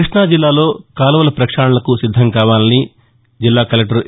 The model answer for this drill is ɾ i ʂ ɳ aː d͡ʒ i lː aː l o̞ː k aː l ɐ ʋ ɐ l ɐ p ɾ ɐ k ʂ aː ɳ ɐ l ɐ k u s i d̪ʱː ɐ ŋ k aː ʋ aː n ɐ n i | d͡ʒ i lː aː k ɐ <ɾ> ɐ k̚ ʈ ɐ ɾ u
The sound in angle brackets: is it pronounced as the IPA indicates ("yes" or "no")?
no